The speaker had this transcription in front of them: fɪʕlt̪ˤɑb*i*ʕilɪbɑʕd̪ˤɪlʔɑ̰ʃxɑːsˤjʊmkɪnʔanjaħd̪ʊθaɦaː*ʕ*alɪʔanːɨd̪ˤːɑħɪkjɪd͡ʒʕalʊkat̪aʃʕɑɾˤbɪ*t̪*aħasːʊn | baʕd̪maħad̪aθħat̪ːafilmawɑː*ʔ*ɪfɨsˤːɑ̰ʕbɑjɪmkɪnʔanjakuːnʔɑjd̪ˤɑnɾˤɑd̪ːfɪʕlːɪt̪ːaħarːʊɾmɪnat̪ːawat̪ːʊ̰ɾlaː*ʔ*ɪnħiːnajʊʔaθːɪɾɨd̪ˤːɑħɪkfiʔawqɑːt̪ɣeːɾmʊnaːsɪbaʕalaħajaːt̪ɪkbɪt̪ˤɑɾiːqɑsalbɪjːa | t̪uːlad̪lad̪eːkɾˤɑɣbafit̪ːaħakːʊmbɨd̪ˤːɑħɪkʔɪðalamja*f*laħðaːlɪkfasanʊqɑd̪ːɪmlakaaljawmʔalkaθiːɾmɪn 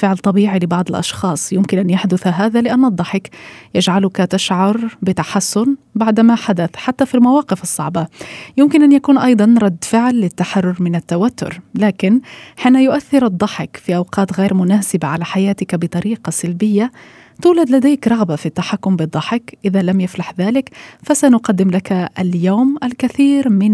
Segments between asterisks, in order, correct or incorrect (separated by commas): incorrect, incorrect, correct, incorrect, incorrect, correct